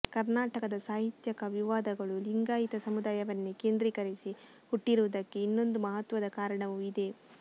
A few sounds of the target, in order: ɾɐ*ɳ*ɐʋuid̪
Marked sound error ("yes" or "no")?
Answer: no